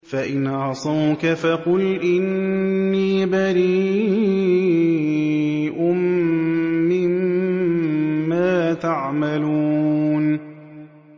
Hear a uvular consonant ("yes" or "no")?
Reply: yes